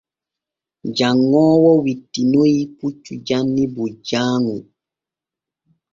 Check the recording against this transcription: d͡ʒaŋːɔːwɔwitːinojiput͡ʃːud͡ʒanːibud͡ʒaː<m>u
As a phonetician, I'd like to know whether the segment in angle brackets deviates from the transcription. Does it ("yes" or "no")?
yes